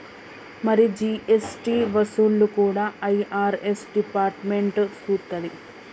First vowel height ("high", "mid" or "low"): low